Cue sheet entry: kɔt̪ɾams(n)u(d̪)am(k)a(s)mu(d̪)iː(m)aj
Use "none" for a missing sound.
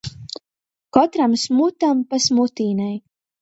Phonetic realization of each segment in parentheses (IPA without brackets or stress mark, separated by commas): m, t̪, p, s, t̪, n